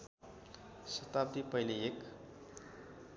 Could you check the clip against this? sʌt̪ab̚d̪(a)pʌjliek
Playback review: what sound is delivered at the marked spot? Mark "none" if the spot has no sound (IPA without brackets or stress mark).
i